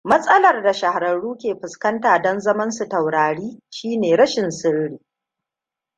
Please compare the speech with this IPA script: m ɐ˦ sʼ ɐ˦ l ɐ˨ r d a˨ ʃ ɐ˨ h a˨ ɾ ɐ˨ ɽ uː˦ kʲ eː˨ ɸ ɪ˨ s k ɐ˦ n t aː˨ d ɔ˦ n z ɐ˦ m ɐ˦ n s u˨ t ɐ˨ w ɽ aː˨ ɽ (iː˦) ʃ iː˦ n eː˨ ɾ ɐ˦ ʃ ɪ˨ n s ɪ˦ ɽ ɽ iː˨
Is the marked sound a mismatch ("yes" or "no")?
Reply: no